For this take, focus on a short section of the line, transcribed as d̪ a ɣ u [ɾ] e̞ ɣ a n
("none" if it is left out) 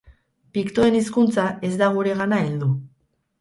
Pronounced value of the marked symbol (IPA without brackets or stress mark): ɾ